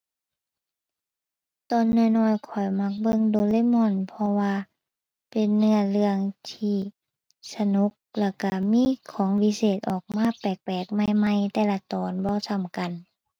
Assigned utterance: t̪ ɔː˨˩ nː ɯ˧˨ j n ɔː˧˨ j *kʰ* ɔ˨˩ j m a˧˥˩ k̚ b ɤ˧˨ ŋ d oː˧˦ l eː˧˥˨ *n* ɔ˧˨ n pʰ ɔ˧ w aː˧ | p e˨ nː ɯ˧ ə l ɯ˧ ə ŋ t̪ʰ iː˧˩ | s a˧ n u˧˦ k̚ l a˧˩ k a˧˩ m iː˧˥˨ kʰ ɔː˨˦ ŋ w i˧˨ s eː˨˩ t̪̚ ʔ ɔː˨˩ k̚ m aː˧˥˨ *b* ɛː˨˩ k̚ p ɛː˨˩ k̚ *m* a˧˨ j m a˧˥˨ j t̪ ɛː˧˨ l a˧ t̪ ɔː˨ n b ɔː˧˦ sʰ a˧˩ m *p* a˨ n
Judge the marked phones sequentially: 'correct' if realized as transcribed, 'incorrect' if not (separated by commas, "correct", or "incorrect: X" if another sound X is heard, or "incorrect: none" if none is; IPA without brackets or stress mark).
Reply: correct, incorrect: m, incorrect: p, correct, incorrect: k